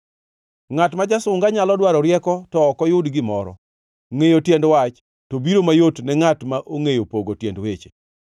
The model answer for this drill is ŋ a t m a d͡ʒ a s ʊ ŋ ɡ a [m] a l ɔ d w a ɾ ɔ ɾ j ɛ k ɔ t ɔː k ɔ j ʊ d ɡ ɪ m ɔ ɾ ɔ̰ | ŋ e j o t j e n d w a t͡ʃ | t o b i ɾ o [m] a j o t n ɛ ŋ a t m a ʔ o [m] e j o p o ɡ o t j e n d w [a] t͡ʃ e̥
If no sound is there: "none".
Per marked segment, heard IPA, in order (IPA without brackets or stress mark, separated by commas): ɲ, m, ŋ, e